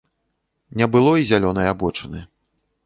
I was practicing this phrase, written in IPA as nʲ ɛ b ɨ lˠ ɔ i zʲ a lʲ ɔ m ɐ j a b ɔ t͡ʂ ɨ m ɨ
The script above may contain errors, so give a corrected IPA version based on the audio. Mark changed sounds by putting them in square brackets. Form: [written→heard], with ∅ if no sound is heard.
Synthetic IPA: nʲ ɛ b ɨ lˠ ɔ i zʲ a lʲ ɔ [m→n] ɐ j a b ɔ t͡ʂ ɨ [m→n] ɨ